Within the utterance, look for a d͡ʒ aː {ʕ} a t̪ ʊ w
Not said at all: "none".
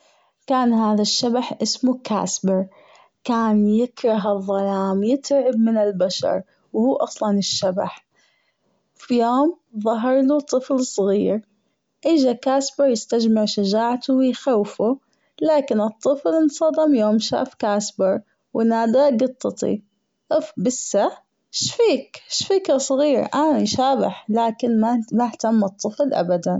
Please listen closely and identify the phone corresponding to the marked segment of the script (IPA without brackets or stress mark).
ʕ